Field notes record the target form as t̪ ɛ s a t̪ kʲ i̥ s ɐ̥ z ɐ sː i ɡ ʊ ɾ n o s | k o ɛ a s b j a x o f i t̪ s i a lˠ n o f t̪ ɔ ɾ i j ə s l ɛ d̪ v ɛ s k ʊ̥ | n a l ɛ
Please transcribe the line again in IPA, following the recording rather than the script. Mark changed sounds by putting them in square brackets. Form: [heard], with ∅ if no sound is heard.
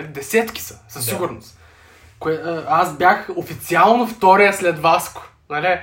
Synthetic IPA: [d̪] ɛ s [ɛ] t̪ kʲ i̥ s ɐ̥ [s] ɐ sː i ɡ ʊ ɾ n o s | k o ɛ a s b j a x o f i t̪ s i a lˠ n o f t̪ ɔ ɾ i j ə s l ɛ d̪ v [a] s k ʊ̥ | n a l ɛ